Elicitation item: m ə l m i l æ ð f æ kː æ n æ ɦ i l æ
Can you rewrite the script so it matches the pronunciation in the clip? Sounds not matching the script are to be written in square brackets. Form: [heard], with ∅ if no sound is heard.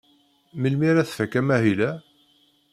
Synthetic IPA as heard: m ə l m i [ɾ] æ [θ] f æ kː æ [m] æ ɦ i l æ